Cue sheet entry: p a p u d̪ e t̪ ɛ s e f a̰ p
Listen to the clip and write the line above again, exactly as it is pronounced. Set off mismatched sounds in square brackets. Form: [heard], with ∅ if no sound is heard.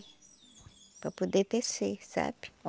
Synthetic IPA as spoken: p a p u d̪ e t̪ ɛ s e [s] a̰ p